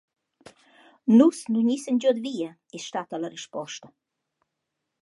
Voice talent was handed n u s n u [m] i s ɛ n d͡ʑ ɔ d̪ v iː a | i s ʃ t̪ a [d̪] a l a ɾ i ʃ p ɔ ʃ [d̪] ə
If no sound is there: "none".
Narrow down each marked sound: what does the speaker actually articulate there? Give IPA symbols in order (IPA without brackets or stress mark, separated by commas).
ɲ, t̪, t̪